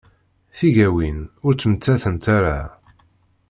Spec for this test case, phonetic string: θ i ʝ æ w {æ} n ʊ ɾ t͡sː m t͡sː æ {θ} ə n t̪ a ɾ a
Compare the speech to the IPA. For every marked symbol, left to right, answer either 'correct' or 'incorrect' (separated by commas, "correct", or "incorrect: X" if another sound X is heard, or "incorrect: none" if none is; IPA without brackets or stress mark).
incorrect: i, correct